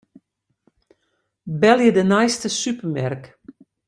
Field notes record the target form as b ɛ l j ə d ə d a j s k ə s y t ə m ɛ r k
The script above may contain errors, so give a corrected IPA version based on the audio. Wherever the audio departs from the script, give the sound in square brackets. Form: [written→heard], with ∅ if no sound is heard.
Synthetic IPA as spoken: b ɛ l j ə d ə [d→n] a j s [k→t] ə s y [t→p] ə m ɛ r k